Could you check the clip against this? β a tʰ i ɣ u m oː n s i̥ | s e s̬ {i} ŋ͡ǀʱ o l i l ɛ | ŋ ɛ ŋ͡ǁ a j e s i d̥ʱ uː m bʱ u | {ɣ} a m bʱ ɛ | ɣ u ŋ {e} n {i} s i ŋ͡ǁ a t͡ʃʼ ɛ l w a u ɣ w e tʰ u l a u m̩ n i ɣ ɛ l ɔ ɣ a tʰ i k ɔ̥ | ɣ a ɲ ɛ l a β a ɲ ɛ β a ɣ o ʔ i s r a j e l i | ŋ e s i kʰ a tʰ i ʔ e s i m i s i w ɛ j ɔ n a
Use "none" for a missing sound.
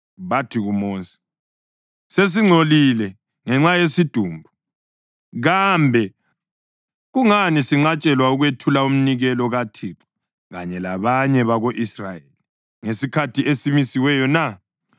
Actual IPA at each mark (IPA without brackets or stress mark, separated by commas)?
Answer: i, ɣ, a, i